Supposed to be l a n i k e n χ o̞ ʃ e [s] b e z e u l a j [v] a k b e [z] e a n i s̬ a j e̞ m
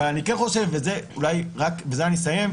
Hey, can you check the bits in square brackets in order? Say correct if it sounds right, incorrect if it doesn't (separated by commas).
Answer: incorrect, incorrect, correct